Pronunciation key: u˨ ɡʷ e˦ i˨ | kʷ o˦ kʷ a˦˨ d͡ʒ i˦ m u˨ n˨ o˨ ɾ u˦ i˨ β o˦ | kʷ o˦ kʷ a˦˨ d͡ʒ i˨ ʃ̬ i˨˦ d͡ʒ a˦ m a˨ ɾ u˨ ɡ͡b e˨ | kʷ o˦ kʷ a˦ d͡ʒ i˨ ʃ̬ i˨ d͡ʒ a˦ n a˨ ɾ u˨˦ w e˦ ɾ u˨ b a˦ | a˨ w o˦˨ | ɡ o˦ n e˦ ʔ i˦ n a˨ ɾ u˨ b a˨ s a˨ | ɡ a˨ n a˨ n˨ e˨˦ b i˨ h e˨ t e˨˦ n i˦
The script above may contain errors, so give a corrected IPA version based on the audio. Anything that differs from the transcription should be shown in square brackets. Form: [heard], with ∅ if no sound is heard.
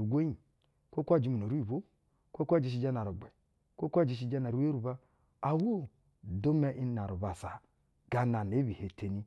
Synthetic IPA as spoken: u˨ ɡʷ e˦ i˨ | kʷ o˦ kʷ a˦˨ d͡ʒ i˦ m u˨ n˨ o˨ ɾ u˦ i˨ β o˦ | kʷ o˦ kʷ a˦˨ d͡ʒ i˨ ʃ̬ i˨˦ d͡ʒ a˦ [n] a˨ ɾ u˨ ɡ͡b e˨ | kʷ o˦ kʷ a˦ d͡ʒ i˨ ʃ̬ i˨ d͡ʒ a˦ n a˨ ɾ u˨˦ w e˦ ɾ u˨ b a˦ | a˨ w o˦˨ | [d] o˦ [m] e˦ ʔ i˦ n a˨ ɾ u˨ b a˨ s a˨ | ɡ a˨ n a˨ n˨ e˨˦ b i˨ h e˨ t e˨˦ n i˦